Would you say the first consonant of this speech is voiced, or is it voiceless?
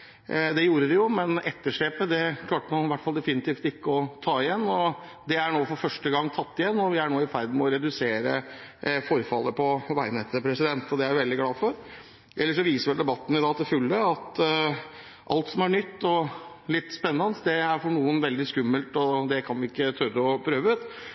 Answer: voiced